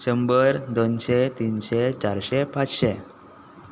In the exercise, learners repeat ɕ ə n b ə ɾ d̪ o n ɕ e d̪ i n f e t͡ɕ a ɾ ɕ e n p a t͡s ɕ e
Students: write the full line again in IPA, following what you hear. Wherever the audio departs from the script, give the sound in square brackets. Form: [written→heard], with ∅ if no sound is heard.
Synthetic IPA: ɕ ə [n→m] b ə ɾ d̪ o n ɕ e [d̪→t̪] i n [f→ɕ] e t͡ɕ a ɾ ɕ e [n→∅] p a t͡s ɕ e